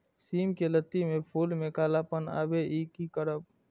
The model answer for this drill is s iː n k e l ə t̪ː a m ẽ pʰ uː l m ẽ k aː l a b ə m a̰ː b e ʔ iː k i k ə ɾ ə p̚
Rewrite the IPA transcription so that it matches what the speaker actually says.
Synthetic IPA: s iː m k e l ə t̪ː i m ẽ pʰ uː l m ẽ k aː l a p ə n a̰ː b e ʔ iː k i k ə ɾ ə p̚